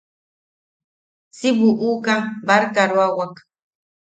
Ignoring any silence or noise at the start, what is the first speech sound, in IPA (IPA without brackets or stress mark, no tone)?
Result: s